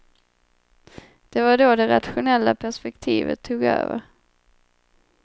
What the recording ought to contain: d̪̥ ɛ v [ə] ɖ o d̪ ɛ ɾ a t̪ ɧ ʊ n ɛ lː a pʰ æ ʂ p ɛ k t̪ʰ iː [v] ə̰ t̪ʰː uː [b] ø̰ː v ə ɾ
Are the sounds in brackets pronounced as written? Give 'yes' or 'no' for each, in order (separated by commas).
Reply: no, yes, no